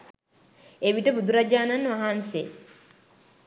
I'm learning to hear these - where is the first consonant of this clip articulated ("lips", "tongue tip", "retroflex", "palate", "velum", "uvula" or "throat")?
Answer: lips